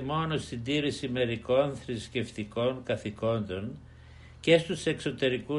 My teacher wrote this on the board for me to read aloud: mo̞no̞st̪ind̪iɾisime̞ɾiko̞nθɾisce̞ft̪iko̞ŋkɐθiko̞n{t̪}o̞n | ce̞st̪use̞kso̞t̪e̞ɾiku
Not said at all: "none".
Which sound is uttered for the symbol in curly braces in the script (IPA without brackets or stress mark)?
d̪